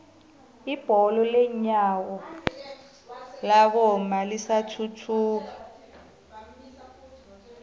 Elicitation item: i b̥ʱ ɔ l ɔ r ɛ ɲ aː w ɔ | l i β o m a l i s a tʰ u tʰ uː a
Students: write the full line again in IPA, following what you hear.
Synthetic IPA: i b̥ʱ ɔ l ɔ l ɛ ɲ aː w ɔ | l a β ɔ m a l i s a tʰ u tʰ uː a